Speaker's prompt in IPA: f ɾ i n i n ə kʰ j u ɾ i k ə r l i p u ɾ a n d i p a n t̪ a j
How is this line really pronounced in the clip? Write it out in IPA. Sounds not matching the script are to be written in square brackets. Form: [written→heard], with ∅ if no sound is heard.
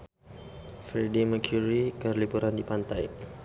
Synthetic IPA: f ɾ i [n→d] i [n→m] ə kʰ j u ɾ i k ə r l i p u ɾ a n d i p a n t̪ a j